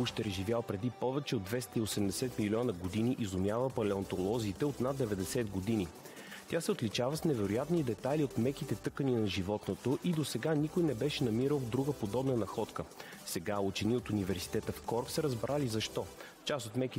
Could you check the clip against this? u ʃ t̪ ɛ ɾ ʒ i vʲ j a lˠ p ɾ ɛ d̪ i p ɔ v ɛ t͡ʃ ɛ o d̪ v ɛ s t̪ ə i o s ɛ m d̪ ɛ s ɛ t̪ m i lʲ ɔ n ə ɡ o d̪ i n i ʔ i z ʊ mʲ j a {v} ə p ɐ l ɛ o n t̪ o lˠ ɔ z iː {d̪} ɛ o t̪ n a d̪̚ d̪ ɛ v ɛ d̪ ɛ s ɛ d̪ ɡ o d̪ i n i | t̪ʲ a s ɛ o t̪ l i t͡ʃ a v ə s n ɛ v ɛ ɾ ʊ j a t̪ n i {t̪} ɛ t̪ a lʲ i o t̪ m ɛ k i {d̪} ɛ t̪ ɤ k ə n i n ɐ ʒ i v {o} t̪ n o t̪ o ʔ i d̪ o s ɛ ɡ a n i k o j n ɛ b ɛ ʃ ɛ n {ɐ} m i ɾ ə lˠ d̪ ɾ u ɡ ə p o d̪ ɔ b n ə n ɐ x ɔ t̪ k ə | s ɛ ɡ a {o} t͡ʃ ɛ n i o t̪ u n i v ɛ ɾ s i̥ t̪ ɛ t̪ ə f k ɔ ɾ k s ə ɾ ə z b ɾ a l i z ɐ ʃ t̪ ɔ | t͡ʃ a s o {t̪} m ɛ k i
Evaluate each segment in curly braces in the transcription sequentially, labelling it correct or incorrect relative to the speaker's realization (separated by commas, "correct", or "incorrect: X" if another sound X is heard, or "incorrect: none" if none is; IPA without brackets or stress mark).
correct, incorrect: t̪, incorrect: d̪, incorrect: t̪, incorrect: ɔ, correct, incorrect: u, correct